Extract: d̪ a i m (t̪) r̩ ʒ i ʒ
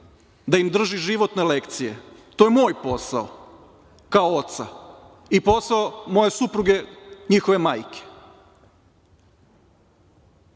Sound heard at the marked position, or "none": d̪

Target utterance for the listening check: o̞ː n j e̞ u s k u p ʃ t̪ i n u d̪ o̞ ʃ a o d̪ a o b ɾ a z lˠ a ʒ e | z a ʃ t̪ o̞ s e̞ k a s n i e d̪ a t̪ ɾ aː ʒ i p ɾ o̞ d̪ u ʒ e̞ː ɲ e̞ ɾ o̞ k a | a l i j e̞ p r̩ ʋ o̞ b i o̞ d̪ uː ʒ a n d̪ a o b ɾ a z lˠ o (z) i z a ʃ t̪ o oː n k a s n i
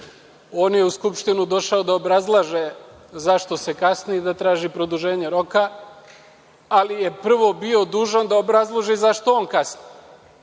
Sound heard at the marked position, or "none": ʒ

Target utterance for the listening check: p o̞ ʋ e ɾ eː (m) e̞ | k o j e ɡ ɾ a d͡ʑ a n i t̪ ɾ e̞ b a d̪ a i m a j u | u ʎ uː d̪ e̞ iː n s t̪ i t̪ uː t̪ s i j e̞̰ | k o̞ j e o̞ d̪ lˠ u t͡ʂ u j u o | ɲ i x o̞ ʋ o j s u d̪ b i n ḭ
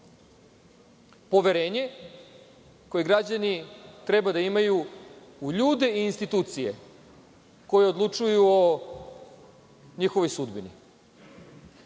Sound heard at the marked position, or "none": ɲ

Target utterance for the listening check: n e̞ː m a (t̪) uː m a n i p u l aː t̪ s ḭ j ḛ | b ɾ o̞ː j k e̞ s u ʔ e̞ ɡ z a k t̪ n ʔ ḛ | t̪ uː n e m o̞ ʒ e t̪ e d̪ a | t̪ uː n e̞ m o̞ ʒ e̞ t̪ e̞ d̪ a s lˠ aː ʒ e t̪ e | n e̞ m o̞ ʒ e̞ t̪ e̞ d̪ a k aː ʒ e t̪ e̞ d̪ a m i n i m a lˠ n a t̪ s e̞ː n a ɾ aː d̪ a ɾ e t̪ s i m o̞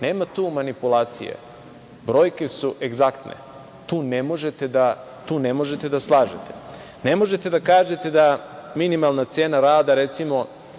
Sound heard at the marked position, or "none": t̪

